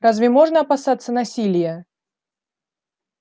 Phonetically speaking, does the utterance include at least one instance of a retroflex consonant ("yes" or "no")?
yes